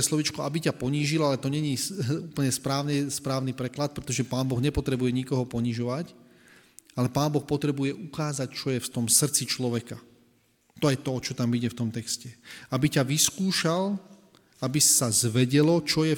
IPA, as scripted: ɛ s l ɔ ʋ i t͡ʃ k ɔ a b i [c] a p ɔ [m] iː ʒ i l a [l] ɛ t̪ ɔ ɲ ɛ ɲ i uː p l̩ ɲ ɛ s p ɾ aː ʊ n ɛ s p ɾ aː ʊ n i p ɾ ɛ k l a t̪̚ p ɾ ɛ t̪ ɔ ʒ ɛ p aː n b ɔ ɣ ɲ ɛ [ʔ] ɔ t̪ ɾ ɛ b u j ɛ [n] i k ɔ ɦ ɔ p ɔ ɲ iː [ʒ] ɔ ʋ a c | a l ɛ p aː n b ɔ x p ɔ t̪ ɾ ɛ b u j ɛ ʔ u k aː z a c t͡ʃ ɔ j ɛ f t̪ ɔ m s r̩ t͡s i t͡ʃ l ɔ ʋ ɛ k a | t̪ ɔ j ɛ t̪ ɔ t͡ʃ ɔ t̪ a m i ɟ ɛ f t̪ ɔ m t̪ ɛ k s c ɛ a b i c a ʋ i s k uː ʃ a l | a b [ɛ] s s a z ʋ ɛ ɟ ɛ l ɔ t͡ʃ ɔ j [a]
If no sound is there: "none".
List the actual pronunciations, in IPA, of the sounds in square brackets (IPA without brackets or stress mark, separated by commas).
c, ɲ, l, p, ɲ, ʒ, i, ɛ